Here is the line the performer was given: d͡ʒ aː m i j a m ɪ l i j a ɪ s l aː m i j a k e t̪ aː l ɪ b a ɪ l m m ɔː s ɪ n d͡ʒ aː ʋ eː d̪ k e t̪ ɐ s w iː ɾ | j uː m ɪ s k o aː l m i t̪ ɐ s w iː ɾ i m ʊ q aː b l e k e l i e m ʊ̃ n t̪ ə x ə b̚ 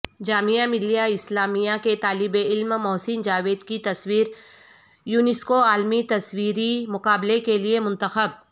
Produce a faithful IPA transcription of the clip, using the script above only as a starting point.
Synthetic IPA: d͡ʒ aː m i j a m ɪ l i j a ɪ s l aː m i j a k e t̪ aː l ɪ b e ɪ l m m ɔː s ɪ n d͡ʒ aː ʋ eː d̪ k i t̪ ɐ s w iː ɾ | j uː n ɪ s k o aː l m i t̪ ɐ s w iː ɾ i m ʊ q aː b l e k e l i e m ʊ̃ n t̪ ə x ə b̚